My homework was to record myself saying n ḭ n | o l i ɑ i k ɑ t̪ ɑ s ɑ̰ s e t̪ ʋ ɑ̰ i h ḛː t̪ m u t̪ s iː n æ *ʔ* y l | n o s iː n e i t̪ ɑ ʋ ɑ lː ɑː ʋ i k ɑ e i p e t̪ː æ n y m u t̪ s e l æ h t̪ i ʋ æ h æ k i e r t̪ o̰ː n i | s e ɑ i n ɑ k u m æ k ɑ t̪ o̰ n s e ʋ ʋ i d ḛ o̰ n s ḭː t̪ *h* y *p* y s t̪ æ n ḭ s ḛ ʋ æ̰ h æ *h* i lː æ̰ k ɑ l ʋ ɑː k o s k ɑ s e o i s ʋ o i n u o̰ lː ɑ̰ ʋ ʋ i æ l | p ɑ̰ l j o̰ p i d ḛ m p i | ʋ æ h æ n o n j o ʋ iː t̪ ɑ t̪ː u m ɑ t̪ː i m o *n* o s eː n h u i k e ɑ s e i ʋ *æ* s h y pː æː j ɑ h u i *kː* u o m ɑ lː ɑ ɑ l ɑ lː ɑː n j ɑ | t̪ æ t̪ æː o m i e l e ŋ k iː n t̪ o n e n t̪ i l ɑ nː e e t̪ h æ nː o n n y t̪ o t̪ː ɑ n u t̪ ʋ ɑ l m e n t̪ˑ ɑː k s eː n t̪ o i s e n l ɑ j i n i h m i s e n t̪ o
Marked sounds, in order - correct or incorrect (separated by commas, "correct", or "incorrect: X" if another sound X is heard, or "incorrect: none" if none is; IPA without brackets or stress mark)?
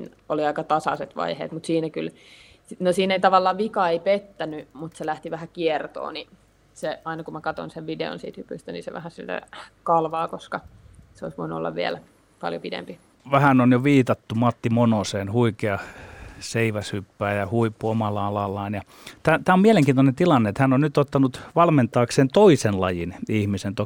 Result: incorrect: k, correct, correct, incorrect: s, correct, correct, incorrect: pː